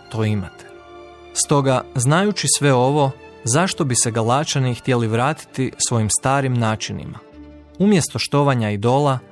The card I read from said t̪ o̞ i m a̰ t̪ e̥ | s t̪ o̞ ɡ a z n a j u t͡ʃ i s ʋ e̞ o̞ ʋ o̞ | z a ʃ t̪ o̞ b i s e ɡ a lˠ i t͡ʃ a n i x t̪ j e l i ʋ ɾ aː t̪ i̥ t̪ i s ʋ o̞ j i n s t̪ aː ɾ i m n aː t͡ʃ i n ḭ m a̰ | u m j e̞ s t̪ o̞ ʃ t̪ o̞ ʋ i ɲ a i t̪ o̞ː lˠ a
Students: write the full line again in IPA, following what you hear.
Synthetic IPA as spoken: t̪ o̞ i m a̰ t̪ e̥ | s t̪ o̞ ɡ a z n a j u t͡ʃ i s ʋ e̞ o̞ ʋ o̞ | z a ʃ t̪ o̞ b i s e ɡ a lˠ a t͡ʃ a n i x t̪ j e l i ʋ ɾ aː t̪ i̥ t̪ i s ʋ o̞ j i m s t̪ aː ɾ i m n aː t͡ʃ i n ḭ m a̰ | u m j e̞ s t̪ o̞ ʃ t̪ o̞ ʋ a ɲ a i d̪ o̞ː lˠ a